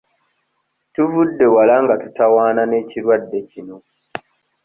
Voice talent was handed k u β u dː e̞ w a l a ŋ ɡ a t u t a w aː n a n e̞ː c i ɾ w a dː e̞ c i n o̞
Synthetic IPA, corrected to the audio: t u v u dː e̞ w a l a ŋ ɡ a t u t a w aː n a n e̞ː c i ɾ w a dː e̞ c i n o̞